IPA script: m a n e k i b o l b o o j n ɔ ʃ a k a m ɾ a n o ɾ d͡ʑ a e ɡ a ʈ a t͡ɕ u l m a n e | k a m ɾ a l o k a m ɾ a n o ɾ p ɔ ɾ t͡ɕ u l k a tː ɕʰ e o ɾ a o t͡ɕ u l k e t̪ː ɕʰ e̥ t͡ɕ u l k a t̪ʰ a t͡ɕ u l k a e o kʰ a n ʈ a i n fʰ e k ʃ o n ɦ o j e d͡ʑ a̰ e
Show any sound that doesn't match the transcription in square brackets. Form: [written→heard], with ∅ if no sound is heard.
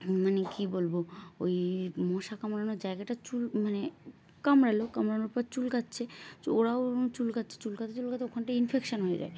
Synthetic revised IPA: m a n e k i b o l b o o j [n→m] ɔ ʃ a k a m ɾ a n o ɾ d͡ʑ a e ɡ a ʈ a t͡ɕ u l m a n e | k a m ɾ a l o k a m ɾ a n o ɾ p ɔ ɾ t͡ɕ u l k a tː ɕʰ e o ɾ a o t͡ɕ u l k [e→a] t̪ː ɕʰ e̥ t͡ɕ u l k a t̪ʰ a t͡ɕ u l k a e o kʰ a n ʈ a i n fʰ e k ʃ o n ɦ o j e d͡ʑ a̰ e